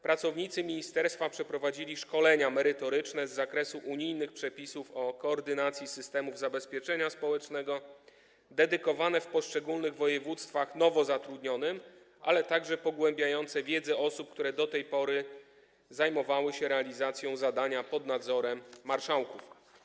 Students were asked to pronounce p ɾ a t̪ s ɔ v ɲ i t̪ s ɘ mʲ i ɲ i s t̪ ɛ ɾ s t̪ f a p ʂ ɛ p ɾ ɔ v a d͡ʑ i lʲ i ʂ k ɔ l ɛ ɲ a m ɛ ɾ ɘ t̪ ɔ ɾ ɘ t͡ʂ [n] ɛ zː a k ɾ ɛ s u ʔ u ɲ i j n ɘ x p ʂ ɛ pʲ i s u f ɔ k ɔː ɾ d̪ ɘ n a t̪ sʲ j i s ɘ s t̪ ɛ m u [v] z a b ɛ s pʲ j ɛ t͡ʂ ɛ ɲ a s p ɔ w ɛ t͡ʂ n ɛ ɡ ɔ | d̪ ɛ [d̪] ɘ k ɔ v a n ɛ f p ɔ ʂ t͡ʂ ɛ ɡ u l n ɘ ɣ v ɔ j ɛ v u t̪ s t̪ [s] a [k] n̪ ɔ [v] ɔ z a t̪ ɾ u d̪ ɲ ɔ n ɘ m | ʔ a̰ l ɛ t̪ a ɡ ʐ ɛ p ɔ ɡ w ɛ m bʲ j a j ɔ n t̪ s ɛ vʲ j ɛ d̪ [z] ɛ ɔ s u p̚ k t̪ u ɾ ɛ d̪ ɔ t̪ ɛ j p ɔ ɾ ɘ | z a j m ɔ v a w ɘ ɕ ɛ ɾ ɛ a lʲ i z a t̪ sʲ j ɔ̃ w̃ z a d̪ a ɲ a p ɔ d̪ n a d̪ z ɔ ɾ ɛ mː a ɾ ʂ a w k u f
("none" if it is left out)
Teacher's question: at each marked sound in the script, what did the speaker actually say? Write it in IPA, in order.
n, v, d̪, f, x, v, z

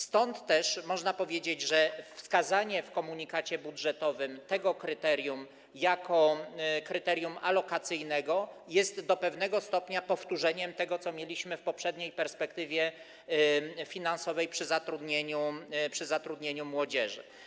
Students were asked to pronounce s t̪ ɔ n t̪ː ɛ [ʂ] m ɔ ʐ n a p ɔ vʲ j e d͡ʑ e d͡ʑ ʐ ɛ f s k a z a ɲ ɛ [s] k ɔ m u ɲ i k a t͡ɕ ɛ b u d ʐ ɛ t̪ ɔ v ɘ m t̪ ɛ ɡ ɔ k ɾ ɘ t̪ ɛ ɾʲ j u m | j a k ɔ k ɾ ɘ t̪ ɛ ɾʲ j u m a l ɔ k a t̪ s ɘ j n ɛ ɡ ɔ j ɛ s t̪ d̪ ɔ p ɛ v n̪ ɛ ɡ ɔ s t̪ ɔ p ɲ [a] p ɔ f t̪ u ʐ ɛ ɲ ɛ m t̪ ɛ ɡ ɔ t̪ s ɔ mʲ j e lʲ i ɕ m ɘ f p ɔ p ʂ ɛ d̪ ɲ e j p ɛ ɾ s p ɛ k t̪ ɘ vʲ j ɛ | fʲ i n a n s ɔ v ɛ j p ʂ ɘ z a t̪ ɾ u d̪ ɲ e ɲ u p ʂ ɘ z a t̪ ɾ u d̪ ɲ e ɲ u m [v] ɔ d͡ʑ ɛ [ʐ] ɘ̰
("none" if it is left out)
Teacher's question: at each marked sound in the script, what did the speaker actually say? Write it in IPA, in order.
ʂ, f, a, w, ʐ

